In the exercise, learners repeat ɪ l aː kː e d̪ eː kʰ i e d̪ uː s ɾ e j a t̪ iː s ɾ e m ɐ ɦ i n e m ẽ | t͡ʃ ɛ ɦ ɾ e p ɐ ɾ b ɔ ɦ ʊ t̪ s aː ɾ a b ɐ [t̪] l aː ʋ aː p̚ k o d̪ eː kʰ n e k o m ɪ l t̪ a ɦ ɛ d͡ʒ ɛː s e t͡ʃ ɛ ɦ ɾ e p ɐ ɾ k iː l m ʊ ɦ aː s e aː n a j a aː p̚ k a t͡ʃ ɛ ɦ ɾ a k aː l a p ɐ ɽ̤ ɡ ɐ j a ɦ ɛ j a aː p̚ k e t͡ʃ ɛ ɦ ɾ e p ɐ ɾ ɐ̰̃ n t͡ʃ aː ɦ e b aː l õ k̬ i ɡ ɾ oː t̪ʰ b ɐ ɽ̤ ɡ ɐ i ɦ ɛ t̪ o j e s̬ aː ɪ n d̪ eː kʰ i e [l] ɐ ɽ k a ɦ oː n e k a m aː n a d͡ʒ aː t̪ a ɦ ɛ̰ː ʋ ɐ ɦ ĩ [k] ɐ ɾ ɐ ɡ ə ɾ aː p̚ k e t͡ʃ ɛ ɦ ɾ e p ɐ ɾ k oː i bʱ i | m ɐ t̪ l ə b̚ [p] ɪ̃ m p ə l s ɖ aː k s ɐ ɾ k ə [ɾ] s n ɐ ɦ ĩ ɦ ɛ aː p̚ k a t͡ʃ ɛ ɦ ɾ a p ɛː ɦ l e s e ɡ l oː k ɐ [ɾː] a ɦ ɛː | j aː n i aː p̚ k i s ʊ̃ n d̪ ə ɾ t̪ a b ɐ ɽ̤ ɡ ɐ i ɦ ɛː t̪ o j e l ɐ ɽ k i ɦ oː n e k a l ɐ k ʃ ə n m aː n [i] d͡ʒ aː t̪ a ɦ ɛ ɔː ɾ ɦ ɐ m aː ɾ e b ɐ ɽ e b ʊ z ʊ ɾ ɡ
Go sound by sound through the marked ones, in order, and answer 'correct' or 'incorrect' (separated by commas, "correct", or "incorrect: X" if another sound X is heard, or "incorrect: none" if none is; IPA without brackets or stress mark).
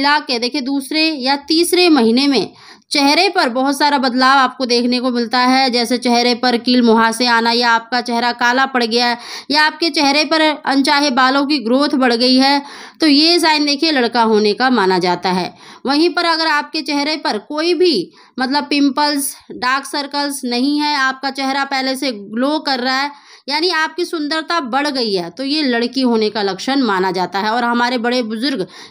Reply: incorrect: d̪, correct, incorrect: p, correct, incorrect: l, correct, incorrect: a